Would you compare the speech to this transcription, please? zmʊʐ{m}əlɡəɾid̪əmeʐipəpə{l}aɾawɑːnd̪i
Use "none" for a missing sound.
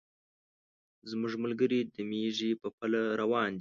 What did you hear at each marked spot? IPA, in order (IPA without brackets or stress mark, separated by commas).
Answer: m, l